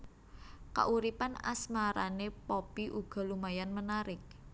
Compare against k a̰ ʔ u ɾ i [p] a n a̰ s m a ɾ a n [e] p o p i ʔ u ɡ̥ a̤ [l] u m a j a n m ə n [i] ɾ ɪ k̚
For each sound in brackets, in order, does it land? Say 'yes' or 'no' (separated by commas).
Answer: yes, yes, yes, no